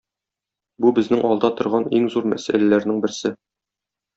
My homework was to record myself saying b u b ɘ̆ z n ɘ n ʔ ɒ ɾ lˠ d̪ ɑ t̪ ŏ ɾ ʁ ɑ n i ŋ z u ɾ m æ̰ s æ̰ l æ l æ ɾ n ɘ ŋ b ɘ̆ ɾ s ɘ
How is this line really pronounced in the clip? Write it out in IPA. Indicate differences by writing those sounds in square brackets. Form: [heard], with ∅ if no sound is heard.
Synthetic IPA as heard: b u b ɘ̆ z n ɘ [ŋ] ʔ ɒ [∅] lˠ d̪ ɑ t̪ ŏ ɾ ʁ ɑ n i ŋ z u ɾ m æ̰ s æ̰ l æ l æ ɾ n ɘ ŋ b ɘ̆ ɾ s ɘ

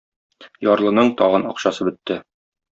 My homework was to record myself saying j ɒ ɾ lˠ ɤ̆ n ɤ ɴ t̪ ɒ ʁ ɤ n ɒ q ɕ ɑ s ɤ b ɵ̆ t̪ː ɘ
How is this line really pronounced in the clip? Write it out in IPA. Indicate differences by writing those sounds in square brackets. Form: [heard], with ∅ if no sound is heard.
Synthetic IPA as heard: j ɒ ɾ lˠ ɤ̆ n ɤ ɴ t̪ ɒ ʁ ɤ n ɒ q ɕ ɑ s ɤ b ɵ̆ t̪ː ɘ

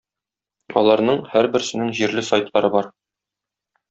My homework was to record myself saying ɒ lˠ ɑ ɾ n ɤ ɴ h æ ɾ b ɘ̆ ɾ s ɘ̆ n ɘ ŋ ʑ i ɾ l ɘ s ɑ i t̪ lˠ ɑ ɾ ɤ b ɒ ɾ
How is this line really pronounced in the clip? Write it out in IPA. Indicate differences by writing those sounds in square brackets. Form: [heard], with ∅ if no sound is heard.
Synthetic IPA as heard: ɒ lˠ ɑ ɾ n ɤ ɴ h æ ɾ b ɘ̆ ɾ s ɘ̆ n ɘ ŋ ʑ i ɾ l ɘ s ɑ [j] t̪ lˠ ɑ ɾ ɤ b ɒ ɾ

